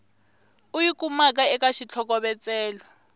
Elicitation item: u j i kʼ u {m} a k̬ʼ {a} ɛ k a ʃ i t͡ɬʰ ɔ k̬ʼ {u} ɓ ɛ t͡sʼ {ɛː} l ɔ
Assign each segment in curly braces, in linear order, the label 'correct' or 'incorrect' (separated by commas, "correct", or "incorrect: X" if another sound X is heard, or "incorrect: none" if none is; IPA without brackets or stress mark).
correct, correct, incorrect: ɔ, correct